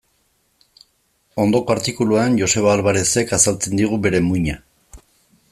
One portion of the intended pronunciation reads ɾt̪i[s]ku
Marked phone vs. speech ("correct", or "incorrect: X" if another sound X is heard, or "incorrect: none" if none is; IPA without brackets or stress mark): incorrect: none